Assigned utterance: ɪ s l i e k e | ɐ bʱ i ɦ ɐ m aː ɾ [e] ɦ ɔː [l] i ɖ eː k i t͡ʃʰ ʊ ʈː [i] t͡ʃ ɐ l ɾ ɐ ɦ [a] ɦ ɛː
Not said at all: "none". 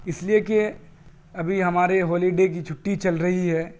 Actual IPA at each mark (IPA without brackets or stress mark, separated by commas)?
e, l, i, i